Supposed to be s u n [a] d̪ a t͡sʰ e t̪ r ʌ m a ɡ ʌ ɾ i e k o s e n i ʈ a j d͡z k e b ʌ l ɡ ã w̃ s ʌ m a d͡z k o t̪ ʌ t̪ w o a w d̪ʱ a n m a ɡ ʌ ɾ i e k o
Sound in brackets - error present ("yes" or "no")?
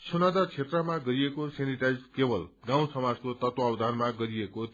no